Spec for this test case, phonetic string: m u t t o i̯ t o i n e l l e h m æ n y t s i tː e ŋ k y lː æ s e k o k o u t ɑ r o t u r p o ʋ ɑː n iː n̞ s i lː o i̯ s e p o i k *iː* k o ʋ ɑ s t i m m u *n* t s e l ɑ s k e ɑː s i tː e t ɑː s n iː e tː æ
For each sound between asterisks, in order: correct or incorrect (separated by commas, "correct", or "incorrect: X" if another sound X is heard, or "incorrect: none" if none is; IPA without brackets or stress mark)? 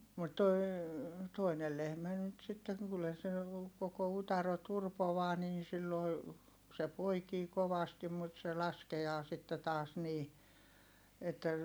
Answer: correct, incorrect: none